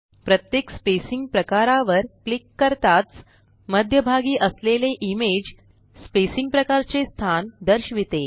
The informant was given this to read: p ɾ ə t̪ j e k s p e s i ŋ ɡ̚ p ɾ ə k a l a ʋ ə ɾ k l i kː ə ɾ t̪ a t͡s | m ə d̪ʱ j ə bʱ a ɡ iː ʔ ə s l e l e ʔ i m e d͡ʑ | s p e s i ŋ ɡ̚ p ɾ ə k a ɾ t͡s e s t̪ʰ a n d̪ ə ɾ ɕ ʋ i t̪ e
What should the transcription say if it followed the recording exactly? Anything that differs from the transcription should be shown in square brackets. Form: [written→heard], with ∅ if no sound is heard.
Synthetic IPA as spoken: p ɾ ə t̪ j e k s p e s i ŋ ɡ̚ p ɾ ə k a [l→ɾ] a ʋ ə ɾ k l i kː ə ɾ t̪ a t͡s | m ə d̪ʱ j ə bʱ a ɡ iː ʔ ə s l e l e ʔ i m e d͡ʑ | s p e s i ŋ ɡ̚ p ɾ ə k a ɾ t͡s e s t̪ʰ a n d̪ ə ɾ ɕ ʋ i t̪ e